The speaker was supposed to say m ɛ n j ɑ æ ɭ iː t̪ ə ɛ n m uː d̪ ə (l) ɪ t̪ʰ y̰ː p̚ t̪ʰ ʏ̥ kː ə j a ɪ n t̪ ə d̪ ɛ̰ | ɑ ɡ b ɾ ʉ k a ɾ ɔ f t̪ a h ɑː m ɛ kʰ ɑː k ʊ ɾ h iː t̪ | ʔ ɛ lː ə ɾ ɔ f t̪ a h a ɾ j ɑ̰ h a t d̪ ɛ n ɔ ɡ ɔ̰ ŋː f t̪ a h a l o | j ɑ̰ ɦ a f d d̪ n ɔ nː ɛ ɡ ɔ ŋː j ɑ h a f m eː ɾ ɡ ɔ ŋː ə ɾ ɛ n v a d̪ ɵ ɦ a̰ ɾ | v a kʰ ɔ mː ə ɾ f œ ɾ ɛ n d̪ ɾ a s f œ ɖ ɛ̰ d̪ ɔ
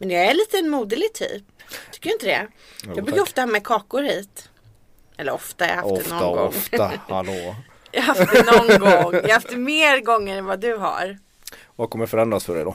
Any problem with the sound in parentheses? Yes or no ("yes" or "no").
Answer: no